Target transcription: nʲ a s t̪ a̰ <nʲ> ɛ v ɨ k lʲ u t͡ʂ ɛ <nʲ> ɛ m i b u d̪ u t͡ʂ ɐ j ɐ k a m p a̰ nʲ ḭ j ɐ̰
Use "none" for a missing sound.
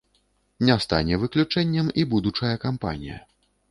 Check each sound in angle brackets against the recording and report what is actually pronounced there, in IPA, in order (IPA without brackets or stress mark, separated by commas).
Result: nʲ, nʲː